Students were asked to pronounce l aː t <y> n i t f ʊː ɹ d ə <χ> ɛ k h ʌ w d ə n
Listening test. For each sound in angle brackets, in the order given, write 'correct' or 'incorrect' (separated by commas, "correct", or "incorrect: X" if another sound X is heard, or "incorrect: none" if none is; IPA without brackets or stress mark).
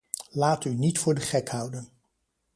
correct, correct